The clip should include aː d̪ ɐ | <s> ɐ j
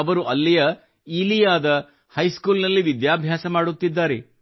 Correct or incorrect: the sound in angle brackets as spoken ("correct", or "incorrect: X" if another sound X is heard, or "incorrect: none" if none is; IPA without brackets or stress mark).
incorrect: h